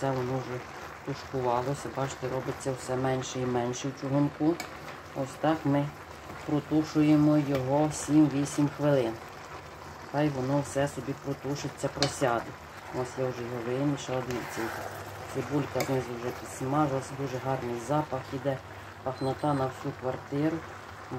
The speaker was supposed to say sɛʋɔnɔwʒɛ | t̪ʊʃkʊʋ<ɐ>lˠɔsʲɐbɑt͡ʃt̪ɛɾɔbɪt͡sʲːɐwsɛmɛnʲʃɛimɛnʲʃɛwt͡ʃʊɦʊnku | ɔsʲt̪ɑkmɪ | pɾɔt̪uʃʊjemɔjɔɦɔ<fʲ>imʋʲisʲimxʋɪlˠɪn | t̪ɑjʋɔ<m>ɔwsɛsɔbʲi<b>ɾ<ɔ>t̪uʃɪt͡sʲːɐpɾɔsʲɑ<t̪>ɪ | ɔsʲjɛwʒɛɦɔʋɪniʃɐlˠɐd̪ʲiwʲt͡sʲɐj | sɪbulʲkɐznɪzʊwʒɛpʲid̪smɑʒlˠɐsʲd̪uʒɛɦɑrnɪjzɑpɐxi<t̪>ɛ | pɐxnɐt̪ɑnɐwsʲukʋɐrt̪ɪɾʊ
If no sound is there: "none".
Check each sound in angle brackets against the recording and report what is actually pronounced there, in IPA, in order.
ɑ, sʲ, n, p, ɔ, d̪, d̪

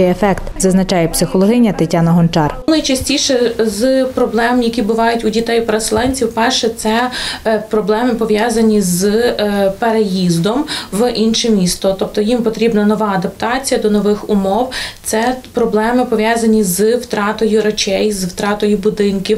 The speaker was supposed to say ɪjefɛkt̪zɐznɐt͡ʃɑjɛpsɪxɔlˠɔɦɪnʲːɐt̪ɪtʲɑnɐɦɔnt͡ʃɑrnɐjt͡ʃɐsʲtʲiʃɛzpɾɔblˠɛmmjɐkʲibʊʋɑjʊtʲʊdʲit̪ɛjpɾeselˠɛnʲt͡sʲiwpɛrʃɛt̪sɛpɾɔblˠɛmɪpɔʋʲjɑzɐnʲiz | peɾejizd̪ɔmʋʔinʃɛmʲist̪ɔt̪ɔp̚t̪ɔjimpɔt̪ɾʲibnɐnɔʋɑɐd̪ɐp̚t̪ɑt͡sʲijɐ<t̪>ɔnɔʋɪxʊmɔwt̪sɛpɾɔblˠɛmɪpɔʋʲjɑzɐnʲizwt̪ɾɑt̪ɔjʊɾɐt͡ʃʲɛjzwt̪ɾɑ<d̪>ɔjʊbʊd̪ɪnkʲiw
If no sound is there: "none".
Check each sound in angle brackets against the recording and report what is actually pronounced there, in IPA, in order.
d̪, t̪

